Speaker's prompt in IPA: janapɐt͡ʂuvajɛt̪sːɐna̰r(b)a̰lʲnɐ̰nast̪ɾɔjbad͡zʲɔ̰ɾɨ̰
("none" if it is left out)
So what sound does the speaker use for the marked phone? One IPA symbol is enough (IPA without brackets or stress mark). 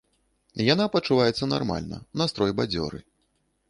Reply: m